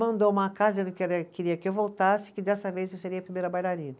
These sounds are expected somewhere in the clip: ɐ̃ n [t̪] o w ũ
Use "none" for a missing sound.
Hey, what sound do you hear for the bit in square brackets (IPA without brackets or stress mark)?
d̪